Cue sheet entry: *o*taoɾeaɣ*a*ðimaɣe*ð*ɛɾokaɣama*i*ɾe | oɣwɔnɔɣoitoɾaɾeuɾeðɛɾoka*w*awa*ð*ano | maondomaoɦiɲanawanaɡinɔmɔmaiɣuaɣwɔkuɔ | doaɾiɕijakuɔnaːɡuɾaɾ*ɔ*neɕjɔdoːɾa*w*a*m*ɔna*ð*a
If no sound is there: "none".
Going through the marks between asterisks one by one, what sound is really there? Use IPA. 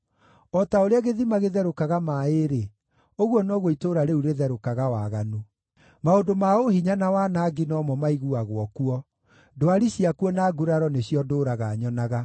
ɔ, e, ð, e, ɣ, ɣ, ɔ, ɣ, ɲ, ɣ

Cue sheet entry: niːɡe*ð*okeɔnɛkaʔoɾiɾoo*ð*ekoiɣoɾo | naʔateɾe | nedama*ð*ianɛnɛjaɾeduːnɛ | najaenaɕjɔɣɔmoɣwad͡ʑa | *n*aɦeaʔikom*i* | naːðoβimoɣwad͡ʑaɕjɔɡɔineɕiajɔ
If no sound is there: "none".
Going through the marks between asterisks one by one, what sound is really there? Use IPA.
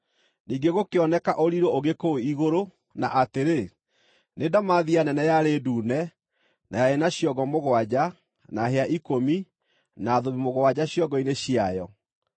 ɣ, ɣ, ð, n, i

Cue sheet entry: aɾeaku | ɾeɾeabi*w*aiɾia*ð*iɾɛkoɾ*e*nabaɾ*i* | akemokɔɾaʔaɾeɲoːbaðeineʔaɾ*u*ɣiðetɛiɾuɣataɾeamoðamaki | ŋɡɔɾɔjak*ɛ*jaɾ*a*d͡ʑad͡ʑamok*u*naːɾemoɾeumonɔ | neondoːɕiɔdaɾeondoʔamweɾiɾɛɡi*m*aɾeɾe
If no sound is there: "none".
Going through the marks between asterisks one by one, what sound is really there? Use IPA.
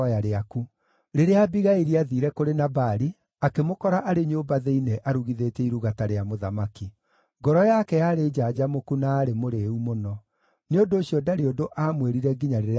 ɣ, ð, e, i, u, ɛ, e, u, ɲ

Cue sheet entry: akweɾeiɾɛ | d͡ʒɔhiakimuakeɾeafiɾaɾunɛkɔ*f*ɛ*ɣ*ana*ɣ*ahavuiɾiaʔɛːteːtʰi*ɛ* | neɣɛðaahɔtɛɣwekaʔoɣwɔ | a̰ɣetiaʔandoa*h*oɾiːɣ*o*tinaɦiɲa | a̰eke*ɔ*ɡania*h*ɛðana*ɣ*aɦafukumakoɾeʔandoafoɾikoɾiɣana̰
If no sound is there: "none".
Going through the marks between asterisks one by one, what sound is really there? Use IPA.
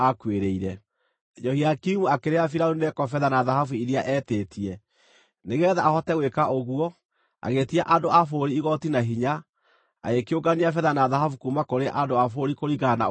f, ð, ð, ɛ, f, ɔ, o, f, ð

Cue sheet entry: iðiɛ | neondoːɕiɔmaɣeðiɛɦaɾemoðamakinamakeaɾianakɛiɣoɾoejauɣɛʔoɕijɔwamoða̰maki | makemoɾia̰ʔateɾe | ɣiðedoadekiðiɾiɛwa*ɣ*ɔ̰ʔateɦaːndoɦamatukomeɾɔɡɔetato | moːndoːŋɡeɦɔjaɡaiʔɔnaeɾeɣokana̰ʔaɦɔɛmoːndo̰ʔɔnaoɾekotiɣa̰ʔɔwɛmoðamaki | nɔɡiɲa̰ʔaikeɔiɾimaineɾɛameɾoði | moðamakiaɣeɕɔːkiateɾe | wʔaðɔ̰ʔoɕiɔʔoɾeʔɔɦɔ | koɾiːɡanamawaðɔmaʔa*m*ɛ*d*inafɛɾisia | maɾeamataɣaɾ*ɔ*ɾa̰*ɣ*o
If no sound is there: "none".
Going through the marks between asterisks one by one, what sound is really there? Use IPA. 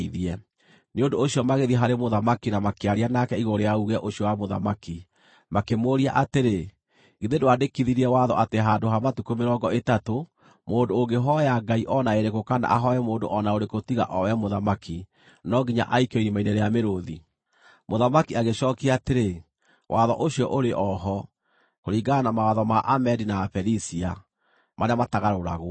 ð, m, d, o, ɣ

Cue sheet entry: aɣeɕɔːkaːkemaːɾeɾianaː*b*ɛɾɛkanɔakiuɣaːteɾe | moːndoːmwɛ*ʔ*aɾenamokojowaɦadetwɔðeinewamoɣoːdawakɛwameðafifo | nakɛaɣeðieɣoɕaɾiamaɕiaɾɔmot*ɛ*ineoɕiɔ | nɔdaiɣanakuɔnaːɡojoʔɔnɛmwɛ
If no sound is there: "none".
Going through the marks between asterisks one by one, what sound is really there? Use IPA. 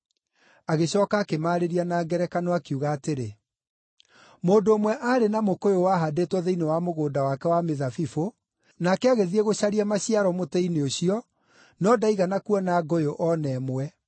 ɡ, ʔ, ɛ

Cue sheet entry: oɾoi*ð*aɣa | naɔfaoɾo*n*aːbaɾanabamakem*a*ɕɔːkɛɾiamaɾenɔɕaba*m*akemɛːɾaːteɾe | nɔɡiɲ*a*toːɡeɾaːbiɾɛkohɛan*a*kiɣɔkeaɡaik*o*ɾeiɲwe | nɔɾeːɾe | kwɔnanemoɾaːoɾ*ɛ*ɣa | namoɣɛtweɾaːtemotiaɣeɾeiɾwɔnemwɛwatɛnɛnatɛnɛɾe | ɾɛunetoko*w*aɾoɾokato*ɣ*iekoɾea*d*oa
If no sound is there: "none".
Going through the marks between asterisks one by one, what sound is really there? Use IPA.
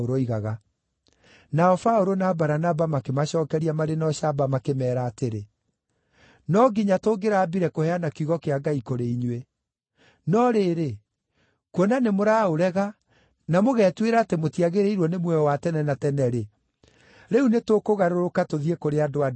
ɣ, n, a, m, a, a, o, ɛ, ɣ, ð, d

